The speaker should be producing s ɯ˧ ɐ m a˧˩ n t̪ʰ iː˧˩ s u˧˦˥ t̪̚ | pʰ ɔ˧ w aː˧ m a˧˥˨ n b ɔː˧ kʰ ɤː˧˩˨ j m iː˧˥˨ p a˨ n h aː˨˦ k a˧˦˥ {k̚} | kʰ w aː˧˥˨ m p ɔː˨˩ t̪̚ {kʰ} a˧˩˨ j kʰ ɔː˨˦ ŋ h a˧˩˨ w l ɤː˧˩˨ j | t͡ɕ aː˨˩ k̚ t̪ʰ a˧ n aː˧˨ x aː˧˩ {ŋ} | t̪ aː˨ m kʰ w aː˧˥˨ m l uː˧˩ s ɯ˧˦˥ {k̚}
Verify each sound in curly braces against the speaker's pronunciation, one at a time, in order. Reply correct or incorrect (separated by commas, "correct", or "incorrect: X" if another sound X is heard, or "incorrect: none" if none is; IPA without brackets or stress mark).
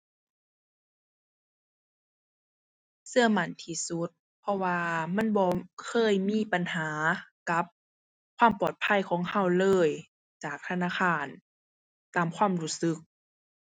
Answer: incorrect: p̚, incorrect: pʰ, incorrect: n, correct